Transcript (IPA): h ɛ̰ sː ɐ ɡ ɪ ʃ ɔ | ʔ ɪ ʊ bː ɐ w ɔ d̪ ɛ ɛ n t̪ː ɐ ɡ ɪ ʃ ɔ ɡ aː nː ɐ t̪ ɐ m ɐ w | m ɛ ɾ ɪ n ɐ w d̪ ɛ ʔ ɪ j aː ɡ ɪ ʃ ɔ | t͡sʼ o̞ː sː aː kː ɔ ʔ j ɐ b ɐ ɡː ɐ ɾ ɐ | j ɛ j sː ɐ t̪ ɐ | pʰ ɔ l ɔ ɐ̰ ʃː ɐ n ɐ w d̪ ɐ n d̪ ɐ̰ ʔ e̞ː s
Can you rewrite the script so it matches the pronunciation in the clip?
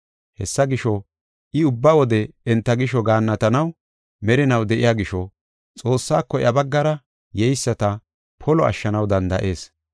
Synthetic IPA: h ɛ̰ sː ɐ ɡ ɪ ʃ ɔ | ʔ ɪ ʊ bː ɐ w ɔ d̪ ɛ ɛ n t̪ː ɐ ɡ ɪ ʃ ɔ ɡ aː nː ɐ t̪ ɐ n ɐ w | m ɛ ɾ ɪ n ɐ w d̪ ɛ ʔ ɪ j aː ɡ ɪ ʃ ɔ | t͡sʼ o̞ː sː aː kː ɔ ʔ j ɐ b ɐ ɡː ɐ ɾ ɐ | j ɛ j sː ɐ t̪ ɐ | pʰ ɔ l ɔ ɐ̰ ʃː ɐ n ɐ w d̪ ɐ n d̪ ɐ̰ ʔ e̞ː s